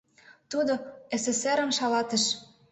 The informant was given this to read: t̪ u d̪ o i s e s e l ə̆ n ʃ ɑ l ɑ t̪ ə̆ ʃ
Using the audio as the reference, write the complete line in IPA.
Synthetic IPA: t̪ u d̪ o e s e s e ɾ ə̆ m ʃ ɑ l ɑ t̪ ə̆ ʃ

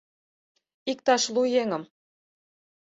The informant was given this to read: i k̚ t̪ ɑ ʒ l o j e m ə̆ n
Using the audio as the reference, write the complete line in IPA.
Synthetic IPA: i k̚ t̪ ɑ ʃ l u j e ŋ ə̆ m

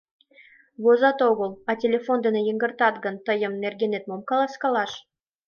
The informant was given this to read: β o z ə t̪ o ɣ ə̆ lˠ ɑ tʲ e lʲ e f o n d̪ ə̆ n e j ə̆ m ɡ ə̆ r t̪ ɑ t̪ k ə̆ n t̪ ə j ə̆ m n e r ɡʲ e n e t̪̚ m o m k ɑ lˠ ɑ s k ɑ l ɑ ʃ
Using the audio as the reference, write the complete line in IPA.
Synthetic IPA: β o z ɑ t̪ o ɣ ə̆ lˠ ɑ tʲ e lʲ e f o n d̪ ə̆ n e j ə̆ ŋ ɡ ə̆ r t̪ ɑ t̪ ɡ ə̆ n t̪ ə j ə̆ m n e r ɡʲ e n e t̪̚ m o m k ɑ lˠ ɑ s k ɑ l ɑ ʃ

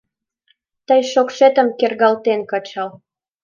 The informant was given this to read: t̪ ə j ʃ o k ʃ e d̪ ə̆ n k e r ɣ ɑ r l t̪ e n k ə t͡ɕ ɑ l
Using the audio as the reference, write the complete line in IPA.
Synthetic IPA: t̪ ə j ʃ o k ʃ e t̪ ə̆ m k e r ɣ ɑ l t̪ e n k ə t͡ɕ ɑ l

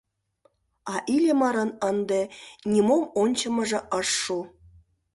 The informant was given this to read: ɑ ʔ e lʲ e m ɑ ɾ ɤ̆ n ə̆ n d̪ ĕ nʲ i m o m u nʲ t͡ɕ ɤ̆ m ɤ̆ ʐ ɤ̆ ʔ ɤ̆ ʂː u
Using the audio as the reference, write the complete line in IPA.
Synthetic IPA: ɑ ʔ i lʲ e m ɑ ɾ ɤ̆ n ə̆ n d̪ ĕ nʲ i m o m o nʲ t͡ɕ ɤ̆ m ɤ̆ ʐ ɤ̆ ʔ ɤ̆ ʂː u

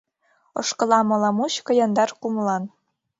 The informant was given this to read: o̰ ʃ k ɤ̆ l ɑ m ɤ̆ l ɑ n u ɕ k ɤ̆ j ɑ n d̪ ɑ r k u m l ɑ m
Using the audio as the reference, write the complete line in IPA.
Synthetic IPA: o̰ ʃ k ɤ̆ l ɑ m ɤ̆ l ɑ m u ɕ k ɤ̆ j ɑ n d̪ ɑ r k u m l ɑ n

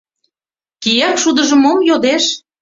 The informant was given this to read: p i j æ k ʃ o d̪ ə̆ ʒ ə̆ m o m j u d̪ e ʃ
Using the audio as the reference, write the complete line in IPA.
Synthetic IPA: k i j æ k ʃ u d̪ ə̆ ʒ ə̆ m o m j o d̪ e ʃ

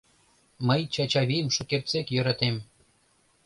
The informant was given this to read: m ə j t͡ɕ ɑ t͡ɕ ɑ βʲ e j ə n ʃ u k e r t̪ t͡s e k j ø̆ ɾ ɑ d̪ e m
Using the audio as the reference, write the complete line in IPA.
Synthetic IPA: m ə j t͡ɕ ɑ t͡ɕ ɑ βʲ i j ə m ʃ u k e r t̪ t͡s e k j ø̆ ɾ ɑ t̪ e m

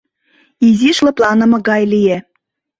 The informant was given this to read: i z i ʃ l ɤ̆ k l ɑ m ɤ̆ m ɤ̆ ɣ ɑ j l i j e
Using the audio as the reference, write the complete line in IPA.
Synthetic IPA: i z i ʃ l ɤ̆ p l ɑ n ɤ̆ m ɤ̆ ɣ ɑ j l i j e

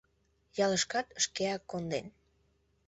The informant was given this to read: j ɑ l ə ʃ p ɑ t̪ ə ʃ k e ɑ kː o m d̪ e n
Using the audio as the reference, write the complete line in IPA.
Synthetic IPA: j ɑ l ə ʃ k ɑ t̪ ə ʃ k e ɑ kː o n d̪ e n

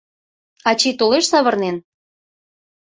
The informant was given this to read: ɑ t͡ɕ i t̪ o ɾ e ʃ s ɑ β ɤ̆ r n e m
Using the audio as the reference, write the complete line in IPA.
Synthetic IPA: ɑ t͡ɕ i t̪ o l e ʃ s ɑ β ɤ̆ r n e n

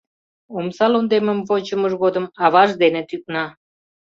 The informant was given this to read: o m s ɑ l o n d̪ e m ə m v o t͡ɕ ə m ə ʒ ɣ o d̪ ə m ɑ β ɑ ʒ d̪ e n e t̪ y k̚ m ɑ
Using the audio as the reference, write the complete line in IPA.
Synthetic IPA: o m s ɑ l o n d̪ e m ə m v o t͡ɕ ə m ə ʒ ɣ o d̪ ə m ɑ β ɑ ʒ d̪ e n e t̪ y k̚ n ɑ

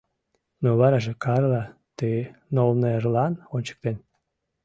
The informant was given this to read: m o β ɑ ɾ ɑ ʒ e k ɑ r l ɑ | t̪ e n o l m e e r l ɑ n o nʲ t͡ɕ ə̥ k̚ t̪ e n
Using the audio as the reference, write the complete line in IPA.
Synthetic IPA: n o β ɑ ɾ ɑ ʒ e k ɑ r l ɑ | t̪ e n o l n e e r l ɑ n o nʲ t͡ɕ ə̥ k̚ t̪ e n

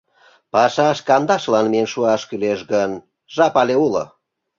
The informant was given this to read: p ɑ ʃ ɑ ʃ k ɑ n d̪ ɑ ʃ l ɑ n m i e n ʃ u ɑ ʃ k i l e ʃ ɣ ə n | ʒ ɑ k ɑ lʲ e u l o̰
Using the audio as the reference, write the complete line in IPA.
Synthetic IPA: p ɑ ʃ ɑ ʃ k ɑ n d̪ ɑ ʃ l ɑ n m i e n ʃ u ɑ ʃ k y l e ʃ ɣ ə n | ʒ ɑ p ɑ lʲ e u l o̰

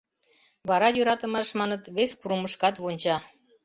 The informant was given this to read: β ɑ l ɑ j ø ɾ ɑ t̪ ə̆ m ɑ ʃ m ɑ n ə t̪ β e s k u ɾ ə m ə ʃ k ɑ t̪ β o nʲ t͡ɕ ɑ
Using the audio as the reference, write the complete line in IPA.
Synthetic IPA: β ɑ ɾ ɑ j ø ɾ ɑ t̪ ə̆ m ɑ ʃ m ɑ n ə t̪ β e s k u ɾ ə m ə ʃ k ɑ t̪ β o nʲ t͡ɕ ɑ

